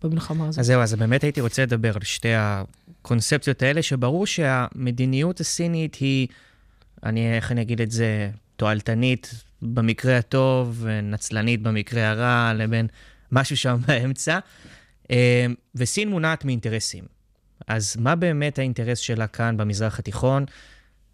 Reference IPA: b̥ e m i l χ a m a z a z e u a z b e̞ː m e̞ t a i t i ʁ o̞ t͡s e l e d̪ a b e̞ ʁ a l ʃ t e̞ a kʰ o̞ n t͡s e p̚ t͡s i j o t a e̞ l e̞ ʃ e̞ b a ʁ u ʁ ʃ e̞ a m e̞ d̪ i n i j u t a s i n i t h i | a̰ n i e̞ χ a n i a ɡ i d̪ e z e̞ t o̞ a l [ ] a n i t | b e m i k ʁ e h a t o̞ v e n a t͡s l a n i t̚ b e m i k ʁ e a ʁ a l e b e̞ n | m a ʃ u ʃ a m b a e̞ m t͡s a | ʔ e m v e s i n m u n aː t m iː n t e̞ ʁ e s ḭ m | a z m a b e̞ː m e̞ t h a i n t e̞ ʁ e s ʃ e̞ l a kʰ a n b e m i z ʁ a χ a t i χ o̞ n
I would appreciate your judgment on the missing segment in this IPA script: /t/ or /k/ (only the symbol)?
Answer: t